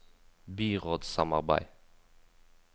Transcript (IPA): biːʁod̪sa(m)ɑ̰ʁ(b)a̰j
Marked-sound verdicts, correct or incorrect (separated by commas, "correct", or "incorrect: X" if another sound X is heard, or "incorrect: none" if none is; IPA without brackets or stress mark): correct, correct